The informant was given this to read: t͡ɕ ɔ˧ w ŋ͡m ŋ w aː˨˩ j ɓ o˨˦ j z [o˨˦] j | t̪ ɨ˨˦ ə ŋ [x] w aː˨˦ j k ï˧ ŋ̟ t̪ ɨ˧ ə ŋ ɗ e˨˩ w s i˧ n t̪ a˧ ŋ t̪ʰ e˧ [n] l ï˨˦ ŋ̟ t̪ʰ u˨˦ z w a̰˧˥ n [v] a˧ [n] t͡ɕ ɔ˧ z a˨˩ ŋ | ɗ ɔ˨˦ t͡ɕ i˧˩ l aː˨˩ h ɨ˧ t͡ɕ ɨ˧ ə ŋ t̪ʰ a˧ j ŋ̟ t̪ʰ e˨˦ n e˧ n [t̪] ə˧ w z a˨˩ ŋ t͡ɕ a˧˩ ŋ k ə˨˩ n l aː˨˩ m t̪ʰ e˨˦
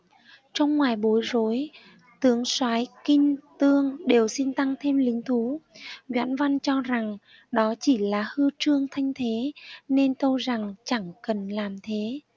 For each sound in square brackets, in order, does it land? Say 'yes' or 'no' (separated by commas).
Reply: yes, no, no, yes, yes, yes